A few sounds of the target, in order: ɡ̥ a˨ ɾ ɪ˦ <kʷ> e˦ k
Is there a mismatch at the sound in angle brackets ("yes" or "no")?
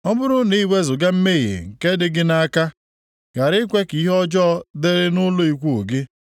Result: no